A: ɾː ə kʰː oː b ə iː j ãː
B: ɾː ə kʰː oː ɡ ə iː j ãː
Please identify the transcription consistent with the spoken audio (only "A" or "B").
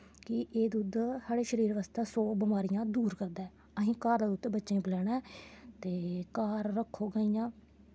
B